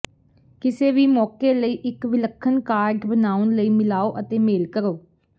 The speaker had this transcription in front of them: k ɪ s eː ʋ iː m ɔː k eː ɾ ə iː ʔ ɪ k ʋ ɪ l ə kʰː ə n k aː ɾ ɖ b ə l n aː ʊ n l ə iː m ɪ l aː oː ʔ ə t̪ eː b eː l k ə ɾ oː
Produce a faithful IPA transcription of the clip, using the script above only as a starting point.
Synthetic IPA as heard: k ɪ s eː ʋ iː m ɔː k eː l ə iː ʔ ɪ k ʋ ɪ l ə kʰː ə n k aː ɾ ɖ b ə n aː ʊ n l ə iː m ɪ l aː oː ʔ ə t̪ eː m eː l k ə ɾ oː